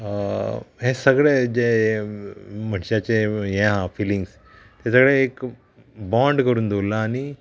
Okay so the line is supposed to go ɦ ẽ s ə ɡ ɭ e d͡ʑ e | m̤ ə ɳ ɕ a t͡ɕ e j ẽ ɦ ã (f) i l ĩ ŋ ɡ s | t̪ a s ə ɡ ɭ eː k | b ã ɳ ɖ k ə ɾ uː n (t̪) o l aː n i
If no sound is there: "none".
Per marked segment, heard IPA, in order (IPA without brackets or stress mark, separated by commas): f, d̪